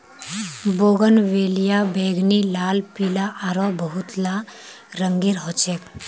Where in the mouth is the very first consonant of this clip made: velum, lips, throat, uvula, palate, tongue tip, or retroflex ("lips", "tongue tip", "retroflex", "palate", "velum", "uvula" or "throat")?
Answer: lips